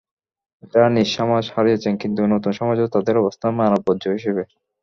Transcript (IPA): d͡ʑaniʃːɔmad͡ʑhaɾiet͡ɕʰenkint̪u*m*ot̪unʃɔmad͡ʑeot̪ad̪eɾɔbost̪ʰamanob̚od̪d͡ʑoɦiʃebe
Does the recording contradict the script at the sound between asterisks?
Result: yes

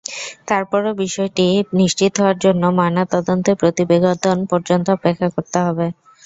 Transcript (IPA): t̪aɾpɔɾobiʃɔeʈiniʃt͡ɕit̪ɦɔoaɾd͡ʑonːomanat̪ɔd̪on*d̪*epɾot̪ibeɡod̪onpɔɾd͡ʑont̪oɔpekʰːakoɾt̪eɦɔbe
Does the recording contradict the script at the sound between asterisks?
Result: yes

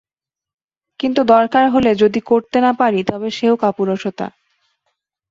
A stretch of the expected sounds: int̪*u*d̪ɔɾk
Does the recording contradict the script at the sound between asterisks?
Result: no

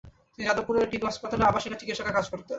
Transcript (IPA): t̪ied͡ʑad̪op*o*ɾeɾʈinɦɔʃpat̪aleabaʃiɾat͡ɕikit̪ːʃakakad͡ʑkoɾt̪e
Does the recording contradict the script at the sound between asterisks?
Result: yes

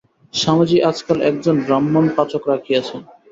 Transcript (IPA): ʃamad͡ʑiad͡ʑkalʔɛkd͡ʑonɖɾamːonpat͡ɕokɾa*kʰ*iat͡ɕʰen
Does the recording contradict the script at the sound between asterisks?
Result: no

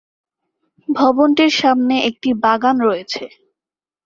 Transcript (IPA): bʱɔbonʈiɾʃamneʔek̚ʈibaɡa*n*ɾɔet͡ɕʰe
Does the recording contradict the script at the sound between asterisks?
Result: no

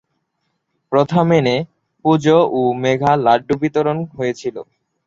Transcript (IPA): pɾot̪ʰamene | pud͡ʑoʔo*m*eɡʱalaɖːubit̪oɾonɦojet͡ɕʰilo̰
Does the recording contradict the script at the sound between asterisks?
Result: no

